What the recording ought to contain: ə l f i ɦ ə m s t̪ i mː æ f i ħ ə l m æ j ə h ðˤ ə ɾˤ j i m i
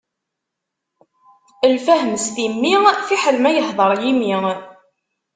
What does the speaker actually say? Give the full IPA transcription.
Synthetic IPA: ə l f æ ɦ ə m s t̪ i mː i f i ħ ə l m æ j ə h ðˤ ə ɾˤ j i m i